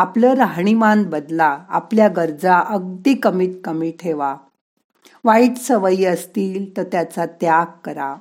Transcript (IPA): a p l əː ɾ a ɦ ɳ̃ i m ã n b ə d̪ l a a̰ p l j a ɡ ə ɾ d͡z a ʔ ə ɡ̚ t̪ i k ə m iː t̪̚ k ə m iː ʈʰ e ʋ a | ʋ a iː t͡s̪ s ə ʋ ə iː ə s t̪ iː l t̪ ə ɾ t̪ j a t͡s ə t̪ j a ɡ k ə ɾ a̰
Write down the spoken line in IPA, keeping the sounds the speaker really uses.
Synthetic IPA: a p l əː ɾ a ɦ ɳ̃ i m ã n b ə d̪ l a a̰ p l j a ɡ ə ɾ d͡z a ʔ ə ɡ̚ d̪ i k ə m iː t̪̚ k ə m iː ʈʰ e ʋ a | ʋ a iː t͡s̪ s ə ʋ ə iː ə s t̪ iː l t̪ ə ɾ t̪ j a t͡s a t̪ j a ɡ k ə ɾ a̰